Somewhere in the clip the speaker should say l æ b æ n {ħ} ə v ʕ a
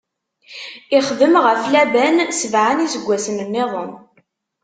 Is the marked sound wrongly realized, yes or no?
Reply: yes